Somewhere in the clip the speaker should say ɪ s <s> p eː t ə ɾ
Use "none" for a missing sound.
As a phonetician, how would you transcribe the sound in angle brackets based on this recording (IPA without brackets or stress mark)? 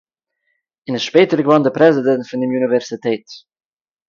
ʃ